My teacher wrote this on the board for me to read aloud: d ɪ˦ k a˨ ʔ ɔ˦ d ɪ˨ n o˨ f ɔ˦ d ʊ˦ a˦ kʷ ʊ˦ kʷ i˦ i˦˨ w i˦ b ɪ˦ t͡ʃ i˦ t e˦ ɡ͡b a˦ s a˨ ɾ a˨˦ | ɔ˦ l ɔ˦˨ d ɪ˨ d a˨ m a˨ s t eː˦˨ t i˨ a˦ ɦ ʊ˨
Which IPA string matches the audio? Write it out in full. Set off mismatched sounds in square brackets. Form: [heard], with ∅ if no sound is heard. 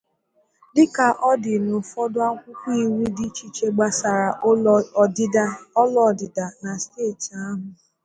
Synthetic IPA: d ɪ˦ k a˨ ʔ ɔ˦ d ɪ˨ n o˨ f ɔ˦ d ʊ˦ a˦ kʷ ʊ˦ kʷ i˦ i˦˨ w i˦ [d] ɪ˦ t͡ʃ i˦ [t͡ʃ] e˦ ɡ͡b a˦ s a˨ ɾ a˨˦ | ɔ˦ l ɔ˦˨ d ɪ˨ d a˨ [n] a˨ s t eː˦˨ t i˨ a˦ ɦ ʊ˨